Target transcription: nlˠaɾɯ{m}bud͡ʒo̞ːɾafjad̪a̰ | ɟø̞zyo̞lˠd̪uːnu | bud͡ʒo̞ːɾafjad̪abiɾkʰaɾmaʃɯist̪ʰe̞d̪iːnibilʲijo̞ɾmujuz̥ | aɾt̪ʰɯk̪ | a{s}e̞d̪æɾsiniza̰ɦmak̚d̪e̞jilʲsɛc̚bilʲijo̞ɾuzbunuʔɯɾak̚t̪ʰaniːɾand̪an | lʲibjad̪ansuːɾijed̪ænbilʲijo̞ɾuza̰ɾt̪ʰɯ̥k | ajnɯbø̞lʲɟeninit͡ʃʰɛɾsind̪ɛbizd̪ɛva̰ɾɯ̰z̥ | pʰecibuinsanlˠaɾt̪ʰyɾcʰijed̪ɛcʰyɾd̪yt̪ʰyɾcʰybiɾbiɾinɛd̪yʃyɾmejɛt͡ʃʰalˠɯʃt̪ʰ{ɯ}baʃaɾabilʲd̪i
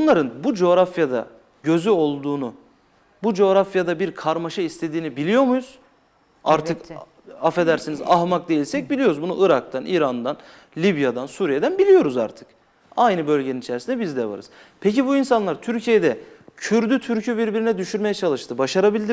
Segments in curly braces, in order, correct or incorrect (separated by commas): incorrect, incorrect, correct